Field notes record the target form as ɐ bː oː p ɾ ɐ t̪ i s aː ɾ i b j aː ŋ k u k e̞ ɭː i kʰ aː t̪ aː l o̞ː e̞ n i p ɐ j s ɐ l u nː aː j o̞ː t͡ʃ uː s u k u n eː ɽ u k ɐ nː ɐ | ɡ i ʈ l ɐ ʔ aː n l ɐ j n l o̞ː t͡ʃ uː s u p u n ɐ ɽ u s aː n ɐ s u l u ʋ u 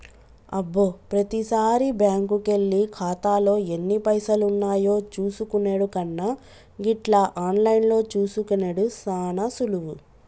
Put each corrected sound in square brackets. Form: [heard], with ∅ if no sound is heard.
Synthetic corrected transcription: ɐ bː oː p ɾ ɐ t̪ i s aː ɾ i b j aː ŋ k u k e̞ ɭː i kʰ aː t̪ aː l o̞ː e̞ [nː] i p ɐ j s ɐ l u nː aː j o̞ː t͡ʃ uː s u k u n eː ɽ u k ɐ nː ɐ | ɡ i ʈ l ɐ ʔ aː n l ɐ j n l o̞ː t͡ʃ uː s u [k] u n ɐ ɽ u s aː n ɐ s u l u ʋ u